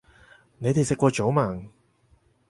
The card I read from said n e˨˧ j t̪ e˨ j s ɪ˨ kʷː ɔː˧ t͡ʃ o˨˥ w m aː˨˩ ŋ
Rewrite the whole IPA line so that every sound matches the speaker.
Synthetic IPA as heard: n e˨˧ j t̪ e˨ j s ɪ˨ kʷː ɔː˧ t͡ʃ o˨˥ w m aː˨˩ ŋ